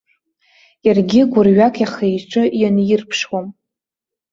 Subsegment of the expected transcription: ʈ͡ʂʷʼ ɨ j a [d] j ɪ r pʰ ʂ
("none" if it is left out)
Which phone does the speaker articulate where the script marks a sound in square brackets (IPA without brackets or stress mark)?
n